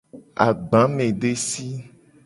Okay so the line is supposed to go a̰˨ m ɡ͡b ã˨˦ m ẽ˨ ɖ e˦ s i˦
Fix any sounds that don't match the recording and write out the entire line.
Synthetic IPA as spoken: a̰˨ ɡ͡b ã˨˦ m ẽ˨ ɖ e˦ s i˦